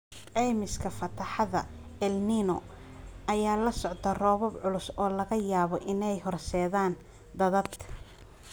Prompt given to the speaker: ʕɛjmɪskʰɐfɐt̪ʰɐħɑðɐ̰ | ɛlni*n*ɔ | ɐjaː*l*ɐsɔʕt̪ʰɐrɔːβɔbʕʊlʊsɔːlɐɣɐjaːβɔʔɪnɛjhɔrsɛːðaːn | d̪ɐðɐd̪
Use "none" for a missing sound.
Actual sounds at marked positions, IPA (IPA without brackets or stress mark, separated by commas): n, l